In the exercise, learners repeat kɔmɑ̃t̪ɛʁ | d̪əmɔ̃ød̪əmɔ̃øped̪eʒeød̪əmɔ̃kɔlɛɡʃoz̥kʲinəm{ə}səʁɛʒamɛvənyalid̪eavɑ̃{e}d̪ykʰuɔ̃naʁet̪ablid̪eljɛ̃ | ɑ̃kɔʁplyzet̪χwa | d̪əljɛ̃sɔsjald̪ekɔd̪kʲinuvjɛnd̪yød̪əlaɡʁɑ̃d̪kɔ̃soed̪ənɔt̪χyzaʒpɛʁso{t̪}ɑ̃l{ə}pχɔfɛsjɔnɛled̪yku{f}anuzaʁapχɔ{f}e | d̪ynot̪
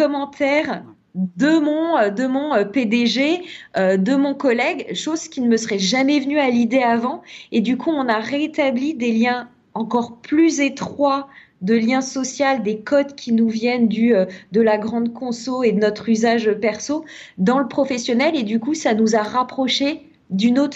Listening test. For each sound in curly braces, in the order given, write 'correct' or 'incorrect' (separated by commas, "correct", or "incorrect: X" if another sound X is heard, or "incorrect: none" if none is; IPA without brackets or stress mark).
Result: correct, correct, incorrect: d̪, correct, incorrect: s, incorrect: ʃ